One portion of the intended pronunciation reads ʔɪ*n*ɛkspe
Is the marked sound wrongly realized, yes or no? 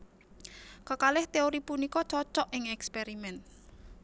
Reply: yes